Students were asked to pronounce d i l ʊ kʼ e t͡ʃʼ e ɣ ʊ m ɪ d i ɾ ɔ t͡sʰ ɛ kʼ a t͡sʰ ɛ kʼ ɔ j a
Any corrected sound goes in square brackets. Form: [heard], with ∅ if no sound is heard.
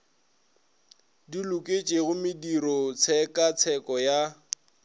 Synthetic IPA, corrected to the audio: d i l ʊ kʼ e t͡ʃʼ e ɣ ʊ m ɪ d i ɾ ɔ t͡sʰ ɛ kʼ a t͡sʰ ɛ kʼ ɔ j a